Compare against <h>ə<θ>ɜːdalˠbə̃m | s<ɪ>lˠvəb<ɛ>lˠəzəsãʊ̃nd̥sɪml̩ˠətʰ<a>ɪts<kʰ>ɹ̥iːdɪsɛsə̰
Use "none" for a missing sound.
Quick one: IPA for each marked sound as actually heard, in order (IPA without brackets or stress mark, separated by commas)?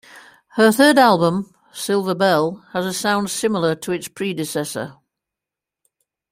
h, θ, ɪ, ɛ, ə, pʰ